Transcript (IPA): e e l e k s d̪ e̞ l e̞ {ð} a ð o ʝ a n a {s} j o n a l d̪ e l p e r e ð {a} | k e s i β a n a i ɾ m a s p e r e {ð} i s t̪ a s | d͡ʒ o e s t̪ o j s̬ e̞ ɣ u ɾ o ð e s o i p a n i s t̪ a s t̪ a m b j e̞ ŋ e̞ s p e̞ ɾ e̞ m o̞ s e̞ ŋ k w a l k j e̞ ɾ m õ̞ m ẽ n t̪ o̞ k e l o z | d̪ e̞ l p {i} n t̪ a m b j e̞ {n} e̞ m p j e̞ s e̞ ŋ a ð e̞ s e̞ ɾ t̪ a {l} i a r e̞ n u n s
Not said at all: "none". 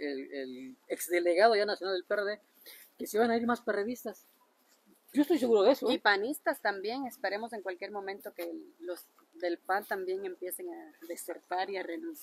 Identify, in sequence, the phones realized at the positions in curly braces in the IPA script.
ɣ, s, e, ð, a, ŋ, ɾ

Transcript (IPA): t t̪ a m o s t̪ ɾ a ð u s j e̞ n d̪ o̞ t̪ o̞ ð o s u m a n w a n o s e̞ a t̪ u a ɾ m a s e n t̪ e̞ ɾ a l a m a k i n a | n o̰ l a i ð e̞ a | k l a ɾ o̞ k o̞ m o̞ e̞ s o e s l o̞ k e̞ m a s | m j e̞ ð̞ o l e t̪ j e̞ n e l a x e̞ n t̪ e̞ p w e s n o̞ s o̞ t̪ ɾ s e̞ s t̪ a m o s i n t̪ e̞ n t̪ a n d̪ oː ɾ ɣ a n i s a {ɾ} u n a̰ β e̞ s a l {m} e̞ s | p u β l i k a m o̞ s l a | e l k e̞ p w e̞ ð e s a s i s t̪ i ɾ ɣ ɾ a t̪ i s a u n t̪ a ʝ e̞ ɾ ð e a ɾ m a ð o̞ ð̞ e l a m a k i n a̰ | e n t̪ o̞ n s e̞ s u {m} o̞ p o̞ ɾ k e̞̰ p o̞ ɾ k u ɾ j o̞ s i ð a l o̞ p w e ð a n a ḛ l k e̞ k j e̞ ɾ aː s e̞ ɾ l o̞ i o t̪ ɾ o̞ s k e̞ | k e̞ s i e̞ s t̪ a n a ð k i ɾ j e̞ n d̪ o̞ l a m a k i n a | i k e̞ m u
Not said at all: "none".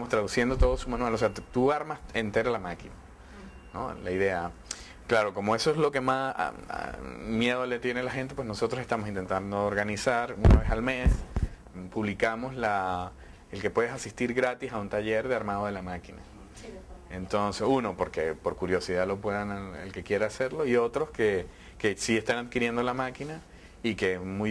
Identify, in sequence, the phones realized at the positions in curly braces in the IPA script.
ɾ, m, n

